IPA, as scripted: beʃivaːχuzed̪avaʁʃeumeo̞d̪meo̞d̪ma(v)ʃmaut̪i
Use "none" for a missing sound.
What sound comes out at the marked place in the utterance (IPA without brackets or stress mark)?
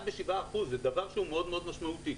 none